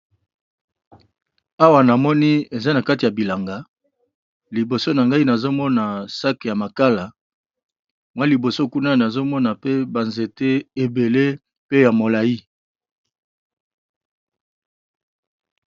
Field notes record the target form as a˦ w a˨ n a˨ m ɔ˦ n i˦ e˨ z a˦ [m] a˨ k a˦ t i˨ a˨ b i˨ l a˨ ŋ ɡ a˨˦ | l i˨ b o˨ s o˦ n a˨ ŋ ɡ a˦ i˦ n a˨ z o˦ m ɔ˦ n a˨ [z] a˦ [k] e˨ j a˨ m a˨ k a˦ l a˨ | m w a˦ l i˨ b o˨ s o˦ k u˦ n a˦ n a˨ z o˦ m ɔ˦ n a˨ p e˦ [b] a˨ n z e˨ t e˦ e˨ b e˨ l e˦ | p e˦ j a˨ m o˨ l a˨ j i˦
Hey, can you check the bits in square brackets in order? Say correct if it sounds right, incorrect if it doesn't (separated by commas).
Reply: incorrect, incorrect, correct, correct